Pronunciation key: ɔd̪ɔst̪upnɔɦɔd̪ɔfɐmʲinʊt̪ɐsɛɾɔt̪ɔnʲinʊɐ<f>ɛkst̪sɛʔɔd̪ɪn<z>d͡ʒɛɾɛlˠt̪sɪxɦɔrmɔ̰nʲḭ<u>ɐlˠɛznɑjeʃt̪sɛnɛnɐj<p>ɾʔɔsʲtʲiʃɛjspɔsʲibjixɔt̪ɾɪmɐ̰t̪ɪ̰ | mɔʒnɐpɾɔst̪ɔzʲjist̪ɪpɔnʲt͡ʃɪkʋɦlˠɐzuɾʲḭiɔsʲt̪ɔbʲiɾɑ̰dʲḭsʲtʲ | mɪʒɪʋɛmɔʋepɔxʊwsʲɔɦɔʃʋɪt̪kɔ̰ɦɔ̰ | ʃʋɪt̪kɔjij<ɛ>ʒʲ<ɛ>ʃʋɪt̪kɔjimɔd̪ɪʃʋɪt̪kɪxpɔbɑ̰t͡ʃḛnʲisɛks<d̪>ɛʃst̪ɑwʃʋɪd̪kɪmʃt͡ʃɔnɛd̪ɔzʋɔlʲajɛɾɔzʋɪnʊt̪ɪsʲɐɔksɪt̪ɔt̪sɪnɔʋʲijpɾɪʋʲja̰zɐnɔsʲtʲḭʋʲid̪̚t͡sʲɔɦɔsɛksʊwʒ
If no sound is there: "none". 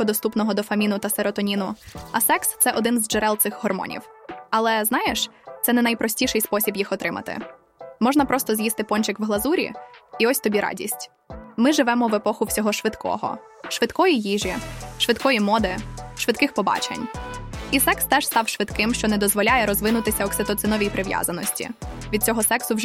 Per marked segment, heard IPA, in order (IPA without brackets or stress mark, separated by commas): s, z, w, p, i, i, t̪